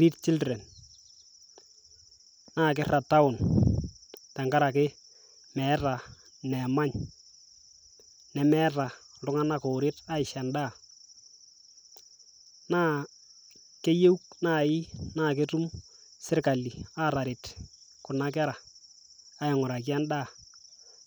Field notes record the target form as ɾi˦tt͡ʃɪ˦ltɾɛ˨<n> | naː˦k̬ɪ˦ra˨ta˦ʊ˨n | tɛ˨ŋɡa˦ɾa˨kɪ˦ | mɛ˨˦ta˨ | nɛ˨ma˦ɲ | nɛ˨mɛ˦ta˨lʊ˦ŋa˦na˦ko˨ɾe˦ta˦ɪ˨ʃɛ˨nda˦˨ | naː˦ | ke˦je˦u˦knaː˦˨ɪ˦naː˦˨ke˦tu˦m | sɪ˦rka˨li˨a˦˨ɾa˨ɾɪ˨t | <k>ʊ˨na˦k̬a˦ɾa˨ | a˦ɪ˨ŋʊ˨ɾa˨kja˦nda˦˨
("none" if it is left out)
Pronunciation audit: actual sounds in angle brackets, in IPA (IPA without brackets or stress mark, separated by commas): n, k